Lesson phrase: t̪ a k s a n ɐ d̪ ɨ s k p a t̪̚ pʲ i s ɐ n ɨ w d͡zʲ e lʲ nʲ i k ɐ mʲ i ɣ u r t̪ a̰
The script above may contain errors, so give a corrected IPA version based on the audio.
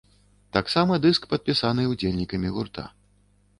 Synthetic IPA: t̪ a k s a m ɐ d̪ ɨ s k p ɐ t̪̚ pʲ i s a n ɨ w d͡zʲ e lʲ nʲ i k ɐ mʲ i ɣ u r t̪ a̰